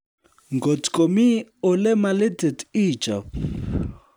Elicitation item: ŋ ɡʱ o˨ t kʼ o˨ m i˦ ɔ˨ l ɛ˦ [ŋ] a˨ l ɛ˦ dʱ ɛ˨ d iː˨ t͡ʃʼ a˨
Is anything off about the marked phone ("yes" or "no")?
yes